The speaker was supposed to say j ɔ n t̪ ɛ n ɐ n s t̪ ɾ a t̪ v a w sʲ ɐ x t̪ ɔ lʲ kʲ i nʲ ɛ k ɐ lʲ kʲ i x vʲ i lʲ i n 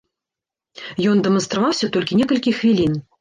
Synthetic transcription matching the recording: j ɔ n d̪ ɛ m ɐ n s t̪ ɾ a v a w sʲ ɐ t̪ ɔ lʲ kʲ i nʲ ɛ k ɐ lʲ kʲ i x vʲ i lʲ i n

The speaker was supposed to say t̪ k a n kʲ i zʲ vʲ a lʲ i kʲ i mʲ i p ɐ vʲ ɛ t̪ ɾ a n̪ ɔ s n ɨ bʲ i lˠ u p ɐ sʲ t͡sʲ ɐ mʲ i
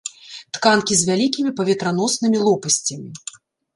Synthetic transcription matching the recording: t̪ k a n kʲ i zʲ vʲ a lʲ i kʲ i mʲ i p ɐ vʲ ɛ t̪ ɾ a n̪ ɔ s n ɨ mʲ i lˠ ɔ p ɐ sʲ t͡sʲ ɐ mʲ i

